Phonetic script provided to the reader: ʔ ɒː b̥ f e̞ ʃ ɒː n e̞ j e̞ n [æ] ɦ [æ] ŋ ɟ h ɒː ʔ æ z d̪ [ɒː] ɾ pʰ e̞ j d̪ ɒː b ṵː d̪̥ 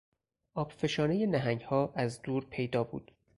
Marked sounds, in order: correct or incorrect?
correct, correct, incorrect

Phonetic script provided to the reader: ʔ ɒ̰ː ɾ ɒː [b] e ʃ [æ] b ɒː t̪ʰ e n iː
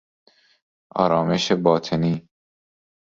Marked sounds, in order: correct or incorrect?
incorrect, incorrect

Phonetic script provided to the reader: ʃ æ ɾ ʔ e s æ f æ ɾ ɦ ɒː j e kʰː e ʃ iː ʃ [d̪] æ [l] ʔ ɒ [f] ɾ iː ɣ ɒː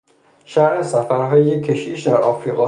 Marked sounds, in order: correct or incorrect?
correct, incorrect, correct

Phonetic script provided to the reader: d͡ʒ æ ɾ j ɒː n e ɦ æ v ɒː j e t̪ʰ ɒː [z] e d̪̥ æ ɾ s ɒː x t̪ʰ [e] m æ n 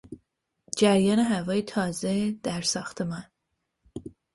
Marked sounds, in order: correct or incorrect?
correct, correct

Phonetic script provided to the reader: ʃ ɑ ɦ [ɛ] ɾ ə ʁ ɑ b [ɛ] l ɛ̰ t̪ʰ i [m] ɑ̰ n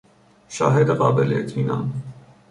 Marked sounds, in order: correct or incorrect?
correct, correct, incorrect

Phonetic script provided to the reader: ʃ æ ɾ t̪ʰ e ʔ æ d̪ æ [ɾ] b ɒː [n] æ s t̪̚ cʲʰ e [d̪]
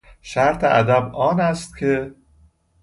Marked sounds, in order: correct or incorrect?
incorrect, correct, incorrect

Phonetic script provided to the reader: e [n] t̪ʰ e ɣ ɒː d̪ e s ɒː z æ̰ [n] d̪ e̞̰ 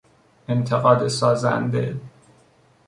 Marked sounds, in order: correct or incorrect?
correct, correct

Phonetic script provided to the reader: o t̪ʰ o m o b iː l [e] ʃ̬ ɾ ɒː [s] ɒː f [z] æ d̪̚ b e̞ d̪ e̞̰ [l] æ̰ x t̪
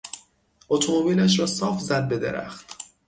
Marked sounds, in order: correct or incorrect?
incorrect, correct, correct, incorrect

